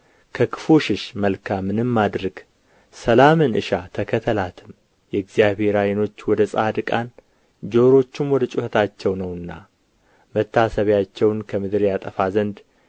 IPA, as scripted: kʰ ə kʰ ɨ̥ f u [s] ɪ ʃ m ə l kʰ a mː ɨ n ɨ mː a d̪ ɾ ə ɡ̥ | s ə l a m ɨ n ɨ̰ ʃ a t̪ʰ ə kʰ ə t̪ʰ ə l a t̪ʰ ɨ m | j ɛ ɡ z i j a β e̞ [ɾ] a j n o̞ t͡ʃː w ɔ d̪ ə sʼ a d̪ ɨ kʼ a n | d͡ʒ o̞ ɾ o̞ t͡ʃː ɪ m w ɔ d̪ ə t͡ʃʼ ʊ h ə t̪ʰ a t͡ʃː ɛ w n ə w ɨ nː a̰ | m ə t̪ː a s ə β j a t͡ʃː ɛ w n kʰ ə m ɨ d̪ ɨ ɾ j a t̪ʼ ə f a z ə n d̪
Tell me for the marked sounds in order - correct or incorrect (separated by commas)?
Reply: incorrect, correct